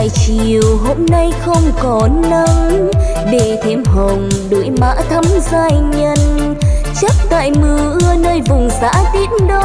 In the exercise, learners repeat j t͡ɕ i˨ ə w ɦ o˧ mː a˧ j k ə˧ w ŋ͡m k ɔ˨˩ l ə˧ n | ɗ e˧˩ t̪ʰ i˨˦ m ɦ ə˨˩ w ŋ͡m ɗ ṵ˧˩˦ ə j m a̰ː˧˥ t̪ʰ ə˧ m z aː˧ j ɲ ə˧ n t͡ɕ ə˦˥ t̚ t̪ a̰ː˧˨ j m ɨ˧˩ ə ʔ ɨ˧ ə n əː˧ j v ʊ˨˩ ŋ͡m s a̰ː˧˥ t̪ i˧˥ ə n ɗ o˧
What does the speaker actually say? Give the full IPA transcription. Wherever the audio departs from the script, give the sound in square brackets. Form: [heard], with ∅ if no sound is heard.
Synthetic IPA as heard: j t͡ɕ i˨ ə w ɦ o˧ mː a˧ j [x] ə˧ w ŋ͡m k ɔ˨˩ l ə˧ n | ɗ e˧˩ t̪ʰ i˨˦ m ɦ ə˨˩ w ŋ͡m ɗ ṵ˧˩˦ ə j m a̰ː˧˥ t̪ʰ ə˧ m z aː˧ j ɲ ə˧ n t͡ɕ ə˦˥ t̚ t̪ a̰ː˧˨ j m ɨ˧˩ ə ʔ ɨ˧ ə n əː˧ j v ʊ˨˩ ŋ͡m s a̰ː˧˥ t̪ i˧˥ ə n ɗ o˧